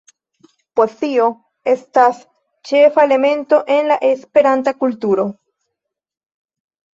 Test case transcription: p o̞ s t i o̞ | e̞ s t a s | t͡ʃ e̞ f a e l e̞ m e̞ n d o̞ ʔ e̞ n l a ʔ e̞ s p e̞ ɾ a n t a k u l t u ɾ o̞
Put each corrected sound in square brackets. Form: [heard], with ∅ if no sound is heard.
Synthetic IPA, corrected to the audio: p o̞ s t i o̞ | e̞ s t a s | t͡ʃ e̞ f a e l e̞ m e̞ n [t] o̞ ʔ e̞ n l a ʔ e̞ s p e̞ ɾ a n t a k u l t u ɾ o̞